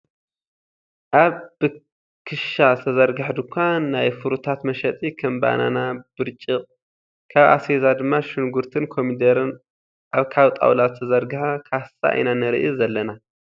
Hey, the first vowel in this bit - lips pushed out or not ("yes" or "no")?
no